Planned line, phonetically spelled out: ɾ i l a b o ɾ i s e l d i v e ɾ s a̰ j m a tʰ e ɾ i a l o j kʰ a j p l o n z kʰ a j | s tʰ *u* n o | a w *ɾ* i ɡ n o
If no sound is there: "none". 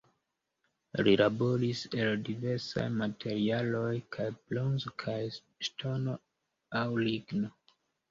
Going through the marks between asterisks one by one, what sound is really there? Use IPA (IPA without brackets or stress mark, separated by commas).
o, l